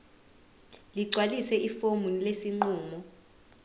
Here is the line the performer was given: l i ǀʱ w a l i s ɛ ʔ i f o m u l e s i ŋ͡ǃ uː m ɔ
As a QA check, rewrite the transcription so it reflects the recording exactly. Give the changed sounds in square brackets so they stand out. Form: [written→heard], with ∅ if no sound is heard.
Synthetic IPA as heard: l i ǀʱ w a l i s ɛ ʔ i f o m u l e s i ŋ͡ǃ uː m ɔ